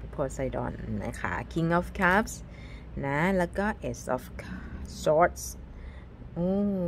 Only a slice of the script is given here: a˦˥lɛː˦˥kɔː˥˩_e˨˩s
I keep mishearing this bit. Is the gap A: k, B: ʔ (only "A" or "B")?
B